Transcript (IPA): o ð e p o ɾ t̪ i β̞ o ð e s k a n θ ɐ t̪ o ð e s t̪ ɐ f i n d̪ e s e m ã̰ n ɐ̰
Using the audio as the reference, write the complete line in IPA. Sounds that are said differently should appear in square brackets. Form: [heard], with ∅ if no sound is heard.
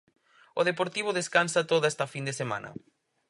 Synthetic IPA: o ð e p o ɾ t̪ i β̞ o ð e s k a n [s] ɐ t̪ o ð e s t̪ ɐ f i n d̪ e s e m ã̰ n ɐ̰